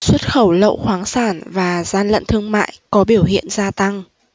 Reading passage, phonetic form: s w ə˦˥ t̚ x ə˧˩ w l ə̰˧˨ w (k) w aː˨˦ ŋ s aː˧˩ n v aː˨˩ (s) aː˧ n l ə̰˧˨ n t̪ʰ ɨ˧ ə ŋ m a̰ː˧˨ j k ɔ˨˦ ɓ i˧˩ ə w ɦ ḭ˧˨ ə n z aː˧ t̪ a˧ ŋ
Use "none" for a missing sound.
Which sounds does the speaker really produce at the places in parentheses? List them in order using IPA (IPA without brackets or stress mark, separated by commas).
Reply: x, z